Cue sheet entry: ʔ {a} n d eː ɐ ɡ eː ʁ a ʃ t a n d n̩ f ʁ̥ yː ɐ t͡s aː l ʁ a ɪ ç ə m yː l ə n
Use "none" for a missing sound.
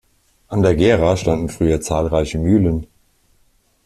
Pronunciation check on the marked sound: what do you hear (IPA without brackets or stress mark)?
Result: a